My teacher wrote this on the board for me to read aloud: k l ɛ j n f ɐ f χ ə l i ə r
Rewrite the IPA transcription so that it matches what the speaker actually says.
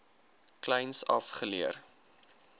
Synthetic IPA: k l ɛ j n s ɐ f χ ə l i ə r